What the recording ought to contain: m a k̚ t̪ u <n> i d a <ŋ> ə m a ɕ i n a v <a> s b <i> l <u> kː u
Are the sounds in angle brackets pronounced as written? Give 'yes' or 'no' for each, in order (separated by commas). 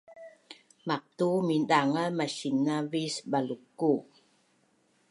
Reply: no, yes, no, no, yes